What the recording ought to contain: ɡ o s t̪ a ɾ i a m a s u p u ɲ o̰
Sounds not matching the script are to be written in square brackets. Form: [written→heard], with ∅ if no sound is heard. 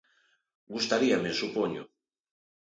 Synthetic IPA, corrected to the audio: ɡ [o→u] s t̪ a ɾ i a m [a→e] s u p [u→o] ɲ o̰